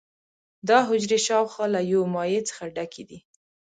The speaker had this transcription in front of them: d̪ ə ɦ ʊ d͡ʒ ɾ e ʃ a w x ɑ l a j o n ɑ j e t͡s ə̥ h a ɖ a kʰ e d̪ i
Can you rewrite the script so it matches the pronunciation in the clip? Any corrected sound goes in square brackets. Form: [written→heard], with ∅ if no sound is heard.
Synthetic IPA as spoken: d̪ [ə→ɑ] ɦ ʊ d͡ʒ ɾ e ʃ [a→ɑ] w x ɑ l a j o [n→m] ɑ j e t͡s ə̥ [h→x] a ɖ a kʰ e d̪ i